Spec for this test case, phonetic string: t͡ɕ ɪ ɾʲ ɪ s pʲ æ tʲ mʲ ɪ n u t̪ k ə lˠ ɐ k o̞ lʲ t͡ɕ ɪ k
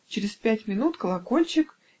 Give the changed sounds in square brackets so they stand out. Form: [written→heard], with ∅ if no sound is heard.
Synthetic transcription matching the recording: t͡ɕ ɪ ɾʲ ɪ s pʲ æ tʲ mʲ ɪ n u t̪ k ə lˠ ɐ k o̞ lʲ t͡ɕ ɪ k